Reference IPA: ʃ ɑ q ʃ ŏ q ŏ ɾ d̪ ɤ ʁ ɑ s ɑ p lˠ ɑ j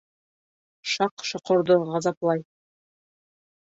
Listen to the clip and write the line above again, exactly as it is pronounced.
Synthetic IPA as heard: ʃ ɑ q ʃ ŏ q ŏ ɾ d̪ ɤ ʁ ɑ z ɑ p lˠ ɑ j